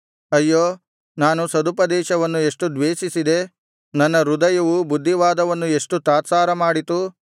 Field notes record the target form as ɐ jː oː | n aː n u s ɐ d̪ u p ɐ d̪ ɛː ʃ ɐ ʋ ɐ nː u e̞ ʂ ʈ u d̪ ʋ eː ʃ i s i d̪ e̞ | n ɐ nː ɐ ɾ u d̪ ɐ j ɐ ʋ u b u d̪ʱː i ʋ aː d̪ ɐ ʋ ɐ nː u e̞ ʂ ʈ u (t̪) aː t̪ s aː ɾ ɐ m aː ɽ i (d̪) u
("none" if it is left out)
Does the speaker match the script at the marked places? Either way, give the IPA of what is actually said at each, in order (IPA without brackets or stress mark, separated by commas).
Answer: t̪, t̪